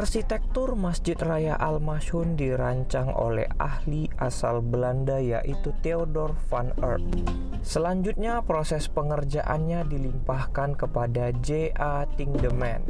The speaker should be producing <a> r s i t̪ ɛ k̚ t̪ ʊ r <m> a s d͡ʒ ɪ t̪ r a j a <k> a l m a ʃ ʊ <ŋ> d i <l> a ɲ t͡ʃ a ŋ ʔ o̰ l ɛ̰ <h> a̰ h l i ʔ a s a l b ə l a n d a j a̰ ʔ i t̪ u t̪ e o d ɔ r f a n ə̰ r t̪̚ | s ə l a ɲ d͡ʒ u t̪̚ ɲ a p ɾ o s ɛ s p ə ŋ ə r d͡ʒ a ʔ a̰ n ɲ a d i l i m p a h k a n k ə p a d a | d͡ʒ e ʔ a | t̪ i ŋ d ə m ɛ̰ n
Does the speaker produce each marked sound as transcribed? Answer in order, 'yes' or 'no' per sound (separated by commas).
yes, yes, no, no, no, yes